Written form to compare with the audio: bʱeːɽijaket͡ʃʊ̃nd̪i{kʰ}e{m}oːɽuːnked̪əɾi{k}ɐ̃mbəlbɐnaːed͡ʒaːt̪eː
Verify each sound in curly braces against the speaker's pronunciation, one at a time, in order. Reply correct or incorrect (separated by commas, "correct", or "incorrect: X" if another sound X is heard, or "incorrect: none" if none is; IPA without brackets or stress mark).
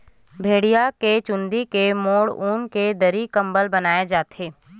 incorrect: k, correct, correct